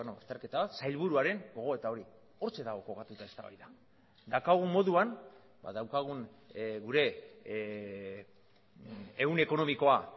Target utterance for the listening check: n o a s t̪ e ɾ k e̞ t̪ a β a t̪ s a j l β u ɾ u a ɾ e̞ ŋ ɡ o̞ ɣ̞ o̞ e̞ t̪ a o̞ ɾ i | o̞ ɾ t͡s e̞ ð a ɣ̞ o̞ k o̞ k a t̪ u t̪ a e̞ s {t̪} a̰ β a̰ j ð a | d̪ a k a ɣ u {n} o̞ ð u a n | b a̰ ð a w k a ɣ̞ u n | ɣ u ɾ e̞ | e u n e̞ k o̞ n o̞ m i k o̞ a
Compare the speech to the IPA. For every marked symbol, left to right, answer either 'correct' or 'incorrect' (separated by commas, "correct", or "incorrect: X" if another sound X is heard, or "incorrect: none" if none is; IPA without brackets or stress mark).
correct, incorrect: m